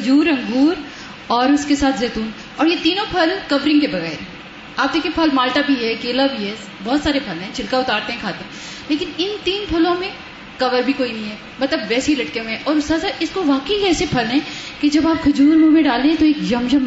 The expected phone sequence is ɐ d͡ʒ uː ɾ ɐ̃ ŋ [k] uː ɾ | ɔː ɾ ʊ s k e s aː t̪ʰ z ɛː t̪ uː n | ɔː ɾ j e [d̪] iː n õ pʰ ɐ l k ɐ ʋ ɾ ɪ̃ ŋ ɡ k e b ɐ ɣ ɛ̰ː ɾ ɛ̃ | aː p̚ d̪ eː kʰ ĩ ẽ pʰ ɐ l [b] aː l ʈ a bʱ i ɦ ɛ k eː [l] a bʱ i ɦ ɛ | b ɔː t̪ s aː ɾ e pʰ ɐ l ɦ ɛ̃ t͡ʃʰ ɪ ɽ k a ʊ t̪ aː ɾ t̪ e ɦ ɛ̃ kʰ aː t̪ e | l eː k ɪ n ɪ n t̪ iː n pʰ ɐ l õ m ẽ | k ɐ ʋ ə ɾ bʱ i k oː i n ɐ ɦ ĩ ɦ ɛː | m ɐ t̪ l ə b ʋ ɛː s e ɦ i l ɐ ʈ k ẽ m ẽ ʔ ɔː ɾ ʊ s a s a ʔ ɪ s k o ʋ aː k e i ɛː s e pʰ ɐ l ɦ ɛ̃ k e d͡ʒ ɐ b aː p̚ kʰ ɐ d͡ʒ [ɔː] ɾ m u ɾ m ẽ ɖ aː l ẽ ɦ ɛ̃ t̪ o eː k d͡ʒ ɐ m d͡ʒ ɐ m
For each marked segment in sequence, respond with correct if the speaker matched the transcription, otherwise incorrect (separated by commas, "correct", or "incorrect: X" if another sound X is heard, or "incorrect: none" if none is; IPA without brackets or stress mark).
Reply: incorrect: ɡ, incorrect: t̪, incorrect: m, correct, incorrect: uː